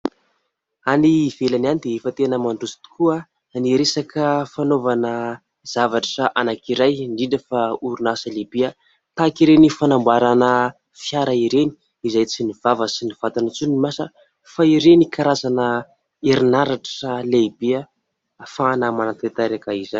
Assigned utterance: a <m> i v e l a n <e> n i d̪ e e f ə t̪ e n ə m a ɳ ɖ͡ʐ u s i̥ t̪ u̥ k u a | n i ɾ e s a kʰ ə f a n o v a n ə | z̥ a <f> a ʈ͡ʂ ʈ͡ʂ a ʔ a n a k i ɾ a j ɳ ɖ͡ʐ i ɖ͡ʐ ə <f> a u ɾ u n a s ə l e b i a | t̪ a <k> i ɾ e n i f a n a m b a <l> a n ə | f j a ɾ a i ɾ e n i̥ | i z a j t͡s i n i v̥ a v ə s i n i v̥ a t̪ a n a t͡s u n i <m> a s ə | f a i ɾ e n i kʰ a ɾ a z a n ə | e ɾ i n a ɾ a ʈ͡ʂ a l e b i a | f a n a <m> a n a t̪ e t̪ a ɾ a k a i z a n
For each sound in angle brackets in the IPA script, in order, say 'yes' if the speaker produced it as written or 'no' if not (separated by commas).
no, no, no, yes, yes, no, yes, yes